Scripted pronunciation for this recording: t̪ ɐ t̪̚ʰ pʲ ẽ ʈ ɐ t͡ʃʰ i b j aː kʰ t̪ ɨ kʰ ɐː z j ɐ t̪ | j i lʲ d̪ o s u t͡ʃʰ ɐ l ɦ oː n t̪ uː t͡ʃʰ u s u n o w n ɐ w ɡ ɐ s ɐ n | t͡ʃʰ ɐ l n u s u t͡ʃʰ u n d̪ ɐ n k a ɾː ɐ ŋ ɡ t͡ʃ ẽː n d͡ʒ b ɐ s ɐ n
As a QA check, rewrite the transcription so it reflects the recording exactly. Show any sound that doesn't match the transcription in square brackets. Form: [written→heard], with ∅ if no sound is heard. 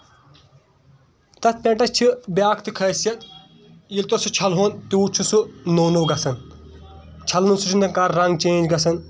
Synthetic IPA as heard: t̪ ɐ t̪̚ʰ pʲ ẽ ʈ ɐ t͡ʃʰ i b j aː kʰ t̪ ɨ kʰ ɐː [z→s] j ɐ t̪ | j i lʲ [d̪→t̪] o s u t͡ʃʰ ɐ l ɦ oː n t̪ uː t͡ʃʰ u s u n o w n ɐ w ɡ ɐ s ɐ n | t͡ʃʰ ɐ l n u s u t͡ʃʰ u n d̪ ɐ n k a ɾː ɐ ŋ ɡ t͡ʃ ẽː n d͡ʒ [b→ɡ] ɐ s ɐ n